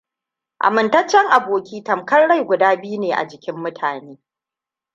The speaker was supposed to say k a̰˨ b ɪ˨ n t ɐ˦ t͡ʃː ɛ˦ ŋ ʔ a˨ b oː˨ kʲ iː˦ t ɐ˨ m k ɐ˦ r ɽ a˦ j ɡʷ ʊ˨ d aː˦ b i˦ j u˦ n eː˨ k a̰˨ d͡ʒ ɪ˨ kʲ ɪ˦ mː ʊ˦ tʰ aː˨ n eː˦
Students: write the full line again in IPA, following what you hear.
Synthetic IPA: ʔ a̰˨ m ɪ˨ n t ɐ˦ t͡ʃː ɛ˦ ŋ ʔ a˨ b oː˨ kʲ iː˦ t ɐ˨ m k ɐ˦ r ɽ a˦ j ɡʷ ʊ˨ d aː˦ b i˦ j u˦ n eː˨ ʔ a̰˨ d͡ʒ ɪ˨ kʲ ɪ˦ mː ʊ˦ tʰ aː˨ n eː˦